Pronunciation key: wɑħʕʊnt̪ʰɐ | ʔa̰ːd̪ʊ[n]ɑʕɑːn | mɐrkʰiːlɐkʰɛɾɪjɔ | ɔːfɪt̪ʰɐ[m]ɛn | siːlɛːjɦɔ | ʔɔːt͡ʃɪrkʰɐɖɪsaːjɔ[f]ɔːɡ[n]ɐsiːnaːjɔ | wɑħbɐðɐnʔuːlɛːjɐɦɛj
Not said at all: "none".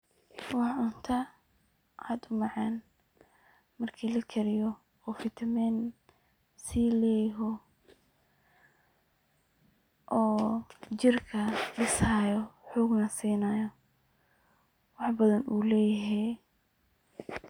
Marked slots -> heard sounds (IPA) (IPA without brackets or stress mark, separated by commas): m, m, ħ, n